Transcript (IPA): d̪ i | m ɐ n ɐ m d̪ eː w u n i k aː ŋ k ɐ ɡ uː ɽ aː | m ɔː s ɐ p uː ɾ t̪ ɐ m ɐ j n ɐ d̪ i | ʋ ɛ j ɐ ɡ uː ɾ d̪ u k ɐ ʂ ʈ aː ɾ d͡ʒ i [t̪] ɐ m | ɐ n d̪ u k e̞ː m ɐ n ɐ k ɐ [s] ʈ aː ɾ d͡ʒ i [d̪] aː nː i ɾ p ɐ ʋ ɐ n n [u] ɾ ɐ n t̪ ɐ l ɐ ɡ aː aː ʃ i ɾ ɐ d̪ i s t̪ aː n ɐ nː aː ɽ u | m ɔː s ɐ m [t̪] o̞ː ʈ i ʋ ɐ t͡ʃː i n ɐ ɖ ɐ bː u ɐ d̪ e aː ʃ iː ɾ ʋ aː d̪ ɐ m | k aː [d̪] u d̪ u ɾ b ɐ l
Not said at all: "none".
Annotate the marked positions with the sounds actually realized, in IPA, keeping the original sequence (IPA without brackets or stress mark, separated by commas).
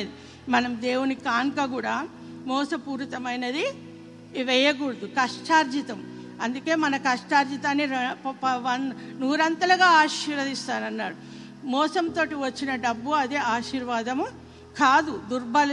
t̪, ʂ, t̪, uː, t̪, d̪